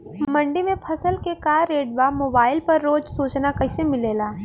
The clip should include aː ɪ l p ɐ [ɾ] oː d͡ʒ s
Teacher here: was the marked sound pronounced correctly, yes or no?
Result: no